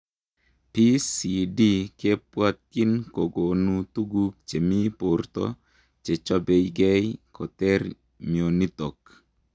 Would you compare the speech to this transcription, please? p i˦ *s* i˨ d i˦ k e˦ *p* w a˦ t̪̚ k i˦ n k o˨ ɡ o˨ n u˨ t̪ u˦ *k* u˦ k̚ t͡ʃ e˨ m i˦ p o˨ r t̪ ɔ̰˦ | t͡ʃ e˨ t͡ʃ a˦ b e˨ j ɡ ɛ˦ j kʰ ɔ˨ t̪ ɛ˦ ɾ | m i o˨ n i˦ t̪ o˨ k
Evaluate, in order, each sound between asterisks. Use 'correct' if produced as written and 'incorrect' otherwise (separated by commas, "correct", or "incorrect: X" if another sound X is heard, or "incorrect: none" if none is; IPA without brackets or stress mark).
correct, correct, incorrect: ɡ